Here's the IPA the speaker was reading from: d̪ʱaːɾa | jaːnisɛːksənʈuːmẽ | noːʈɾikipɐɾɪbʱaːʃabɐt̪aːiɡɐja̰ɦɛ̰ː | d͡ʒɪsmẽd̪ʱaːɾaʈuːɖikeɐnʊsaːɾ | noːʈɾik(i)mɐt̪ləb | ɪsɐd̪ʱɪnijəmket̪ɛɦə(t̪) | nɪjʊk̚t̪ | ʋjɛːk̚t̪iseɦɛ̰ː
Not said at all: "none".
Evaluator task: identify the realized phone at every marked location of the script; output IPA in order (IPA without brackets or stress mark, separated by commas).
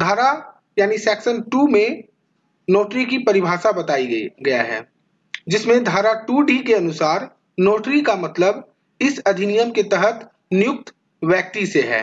a, t̪